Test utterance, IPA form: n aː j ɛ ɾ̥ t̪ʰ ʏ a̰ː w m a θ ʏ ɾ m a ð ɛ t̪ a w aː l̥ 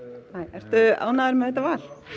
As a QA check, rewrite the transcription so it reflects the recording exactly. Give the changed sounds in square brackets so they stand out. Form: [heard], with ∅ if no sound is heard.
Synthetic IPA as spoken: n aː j ɛ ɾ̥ [t̪] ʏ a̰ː w [n] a [ð] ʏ ɾ m [ɛ] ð ɛ t̪ a [v] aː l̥